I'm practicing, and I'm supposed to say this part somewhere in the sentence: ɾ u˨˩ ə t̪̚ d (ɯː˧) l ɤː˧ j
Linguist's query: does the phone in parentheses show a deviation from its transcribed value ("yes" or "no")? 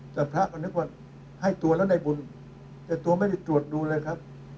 yes